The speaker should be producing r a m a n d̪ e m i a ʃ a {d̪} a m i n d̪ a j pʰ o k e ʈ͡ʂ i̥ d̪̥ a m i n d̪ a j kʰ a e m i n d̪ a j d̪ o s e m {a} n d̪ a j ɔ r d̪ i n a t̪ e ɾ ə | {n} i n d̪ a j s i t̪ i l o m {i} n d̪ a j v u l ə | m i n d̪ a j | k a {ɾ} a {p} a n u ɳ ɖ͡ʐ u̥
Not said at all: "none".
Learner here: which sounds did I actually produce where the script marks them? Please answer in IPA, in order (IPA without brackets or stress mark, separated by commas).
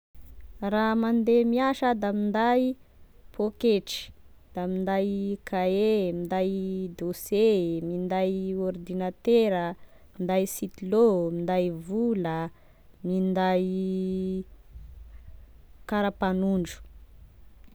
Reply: d̪, i, m, i, ɾ, p